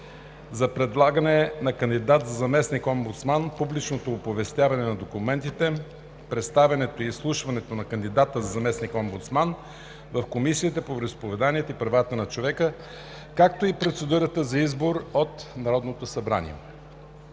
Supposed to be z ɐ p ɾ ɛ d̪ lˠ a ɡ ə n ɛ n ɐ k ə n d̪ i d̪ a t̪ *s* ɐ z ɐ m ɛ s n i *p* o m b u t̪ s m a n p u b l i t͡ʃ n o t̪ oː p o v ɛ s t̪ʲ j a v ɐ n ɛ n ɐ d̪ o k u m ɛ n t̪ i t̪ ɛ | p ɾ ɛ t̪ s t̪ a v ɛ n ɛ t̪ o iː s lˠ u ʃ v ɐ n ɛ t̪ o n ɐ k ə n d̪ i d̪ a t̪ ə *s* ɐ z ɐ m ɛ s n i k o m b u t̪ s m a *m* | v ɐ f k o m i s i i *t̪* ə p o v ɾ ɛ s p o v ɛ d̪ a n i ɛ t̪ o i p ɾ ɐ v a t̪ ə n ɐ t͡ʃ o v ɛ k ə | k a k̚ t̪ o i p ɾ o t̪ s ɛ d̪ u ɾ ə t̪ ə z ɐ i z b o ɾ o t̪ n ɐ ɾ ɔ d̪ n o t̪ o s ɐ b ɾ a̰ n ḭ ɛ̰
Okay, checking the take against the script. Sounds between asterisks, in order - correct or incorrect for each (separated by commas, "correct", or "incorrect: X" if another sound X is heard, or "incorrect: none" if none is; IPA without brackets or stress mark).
incorrect: z, incorrect: k, incorrect: z, incorrect: n, correct